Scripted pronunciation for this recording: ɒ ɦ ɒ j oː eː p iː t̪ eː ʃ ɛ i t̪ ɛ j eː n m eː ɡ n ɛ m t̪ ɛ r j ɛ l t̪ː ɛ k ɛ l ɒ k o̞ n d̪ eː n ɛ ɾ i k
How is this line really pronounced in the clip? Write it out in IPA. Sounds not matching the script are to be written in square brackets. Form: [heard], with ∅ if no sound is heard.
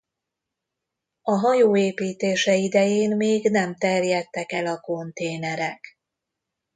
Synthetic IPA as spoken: ɒ ɦ ɒ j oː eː p iː t̪ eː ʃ ɛ i [d̪] ɛ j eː n m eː ɡ n ɛ m t̪ ɛ r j ɛ [∅] t̪ː ɛ k ɛ l ɒ k o̞ n [t̪] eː n ɛ ɾ [ɛ] k